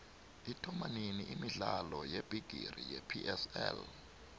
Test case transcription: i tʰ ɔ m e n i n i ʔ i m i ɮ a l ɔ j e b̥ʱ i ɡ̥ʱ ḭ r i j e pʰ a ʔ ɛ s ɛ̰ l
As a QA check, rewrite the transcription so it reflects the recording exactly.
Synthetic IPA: i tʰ ɔ m a n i n i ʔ i m i ɮ a l ɔ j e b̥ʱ i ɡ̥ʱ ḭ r i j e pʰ i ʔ ɛ s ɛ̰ l